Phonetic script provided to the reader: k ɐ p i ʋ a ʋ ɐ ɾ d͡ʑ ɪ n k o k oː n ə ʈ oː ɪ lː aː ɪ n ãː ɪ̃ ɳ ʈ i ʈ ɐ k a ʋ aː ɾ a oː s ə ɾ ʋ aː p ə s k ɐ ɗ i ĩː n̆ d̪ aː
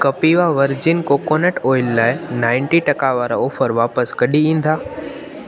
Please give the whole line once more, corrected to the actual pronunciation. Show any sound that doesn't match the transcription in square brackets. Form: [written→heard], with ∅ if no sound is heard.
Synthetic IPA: k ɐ p i ʋ a ʋ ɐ ɾ d͡ʑ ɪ n k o k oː n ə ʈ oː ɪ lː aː ɪ n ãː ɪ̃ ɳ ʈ i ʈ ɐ k a ʋ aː ɾ a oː [s→f] ə ɾ ʋ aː p ə s k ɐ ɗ i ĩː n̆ d̪ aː

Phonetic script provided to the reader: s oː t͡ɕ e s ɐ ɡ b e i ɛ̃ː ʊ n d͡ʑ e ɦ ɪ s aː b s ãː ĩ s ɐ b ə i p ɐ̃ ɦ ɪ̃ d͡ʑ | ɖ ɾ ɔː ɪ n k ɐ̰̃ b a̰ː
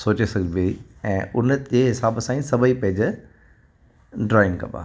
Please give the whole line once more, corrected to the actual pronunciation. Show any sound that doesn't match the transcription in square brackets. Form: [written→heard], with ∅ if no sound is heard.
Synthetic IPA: s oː t͡ɕ e s ɐ ɡ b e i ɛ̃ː ʊ n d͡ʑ e ɦ ɪ s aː b s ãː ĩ s ɐ b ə i p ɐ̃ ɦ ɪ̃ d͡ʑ | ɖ ɾ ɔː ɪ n k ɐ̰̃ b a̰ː

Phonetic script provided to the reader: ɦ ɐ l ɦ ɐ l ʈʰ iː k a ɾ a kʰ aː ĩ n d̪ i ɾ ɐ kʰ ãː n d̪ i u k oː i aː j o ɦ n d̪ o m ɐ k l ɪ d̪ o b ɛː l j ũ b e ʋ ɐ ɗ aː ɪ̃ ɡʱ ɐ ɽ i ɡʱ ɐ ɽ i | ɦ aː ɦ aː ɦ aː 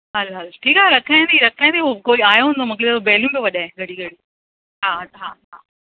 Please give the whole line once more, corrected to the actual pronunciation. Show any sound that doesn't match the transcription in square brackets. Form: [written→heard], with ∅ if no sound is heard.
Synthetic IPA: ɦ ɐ l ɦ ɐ l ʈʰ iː k a ɾ [a→ɐ] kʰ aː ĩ n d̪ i ɾ ɐ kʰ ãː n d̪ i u k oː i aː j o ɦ n d̪ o m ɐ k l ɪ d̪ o b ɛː l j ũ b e ʋ ɐ ɗ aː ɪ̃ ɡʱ ɐ ɽ i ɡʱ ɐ ɽ i | ɦ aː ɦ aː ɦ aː

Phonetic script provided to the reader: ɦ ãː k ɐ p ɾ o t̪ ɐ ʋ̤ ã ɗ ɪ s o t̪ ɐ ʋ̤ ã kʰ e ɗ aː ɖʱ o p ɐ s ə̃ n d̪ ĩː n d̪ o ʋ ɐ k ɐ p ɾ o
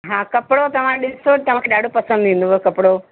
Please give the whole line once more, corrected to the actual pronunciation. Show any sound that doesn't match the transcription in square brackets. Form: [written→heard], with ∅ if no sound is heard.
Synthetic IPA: ɦ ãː k ɐ p [ɾ→ɽ] o t̪ ɐ ʋ̤ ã ɗ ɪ s o t̪ ɐ ʋ̤ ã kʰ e ɗ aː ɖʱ o p ɐ s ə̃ n d̪ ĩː n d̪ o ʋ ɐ k ɐ p [ɾ→ɽ] o

